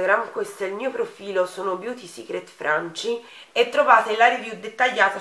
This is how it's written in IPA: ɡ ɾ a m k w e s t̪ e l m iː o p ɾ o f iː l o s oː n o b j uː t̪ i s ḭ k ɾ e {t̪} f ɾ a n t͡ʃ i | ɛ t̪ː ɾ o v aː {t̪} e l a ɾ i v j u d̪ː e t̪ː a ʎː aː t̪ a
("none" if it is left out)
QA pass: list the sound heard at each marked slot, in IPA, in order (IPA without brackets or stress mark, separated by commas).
t̪, t̪